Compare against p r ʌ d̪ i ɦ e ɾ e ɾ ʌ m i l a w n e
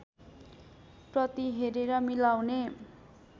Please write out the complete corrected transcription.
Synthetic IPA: p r ʌ t̪ i ɦ e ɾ e ɾ ʌ m i l a w n e